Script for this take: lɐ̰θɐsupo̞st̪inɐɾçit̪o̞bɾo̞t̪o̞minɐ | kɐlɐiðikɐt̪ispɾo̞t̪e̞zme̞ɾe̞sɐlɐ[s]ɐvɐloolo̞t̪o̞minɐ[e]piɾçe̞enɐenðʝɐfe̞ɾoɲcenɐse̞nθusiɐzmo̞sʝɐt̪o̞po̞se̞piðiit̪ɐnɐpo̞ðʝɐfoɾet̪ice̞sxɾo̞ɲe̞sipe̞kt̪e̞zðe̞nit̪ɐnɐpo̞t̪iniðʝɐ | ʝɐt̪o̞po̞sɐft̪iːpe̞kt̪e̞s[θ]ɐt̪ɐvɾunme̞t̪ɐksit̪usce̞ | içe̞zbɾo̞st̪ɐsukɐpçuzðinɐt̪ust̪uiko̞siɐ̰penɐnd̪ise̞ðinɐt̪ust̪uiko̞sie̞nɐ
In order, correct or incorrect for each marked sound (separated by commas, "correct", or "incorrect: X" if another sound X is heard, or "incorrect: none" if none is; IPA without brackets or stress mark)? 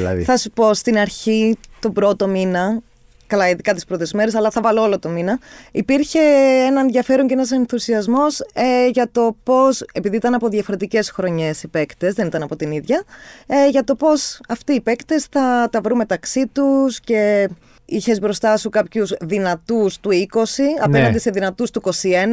incorrect: θ, incorrect: i, correct